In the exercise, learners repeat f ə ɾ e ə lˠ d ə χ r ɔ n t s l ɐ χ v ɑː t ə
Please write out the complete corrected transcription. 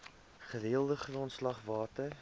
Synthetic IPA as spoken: χ ə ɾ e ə lˠ d ə χ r ɔ n t s l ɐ χ v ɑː t ə